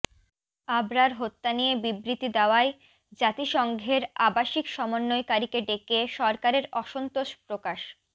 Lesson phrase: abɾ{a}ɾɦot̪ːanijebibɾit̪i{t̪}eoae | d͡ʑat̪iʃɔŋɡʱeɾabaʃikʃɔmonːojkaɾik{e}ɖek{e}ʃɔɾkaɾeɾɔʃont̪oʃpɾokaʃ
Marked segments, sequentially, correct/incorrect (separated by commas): correct, incorrect, correct, correct